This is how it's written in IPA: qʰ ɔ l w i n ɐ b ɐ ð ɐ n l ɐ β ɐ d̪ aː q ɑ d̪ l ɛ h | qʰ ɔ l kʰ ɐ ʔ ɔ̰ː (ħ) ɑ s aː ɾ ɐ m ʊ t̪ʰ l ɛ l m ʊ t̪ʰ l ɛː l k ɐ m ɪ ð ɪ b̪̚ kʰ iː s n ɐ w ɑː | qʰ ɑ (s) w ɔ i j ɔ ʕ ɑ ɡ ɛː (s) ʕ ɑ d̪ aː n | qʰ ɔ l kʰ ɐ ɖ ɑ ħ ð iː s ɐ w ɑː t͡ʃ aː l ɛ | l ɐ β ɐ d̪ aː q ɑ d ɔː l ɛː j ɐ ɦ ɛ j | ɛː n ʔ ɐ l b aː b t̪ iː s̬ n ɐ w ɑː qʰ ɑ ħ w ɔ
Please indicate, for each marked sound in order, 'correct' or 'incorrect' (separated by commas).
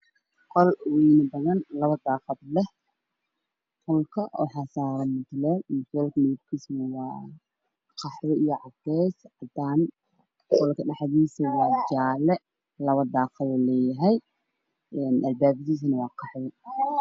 correct, incorrect, correct